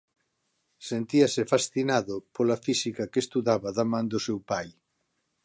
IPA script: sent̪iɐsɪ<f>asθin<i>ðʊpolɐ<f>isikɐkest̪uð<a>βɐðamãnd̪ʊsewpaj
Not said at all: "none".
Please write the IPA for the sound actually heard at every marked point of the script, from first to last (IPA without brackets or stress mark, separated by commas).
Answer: f, a, f, a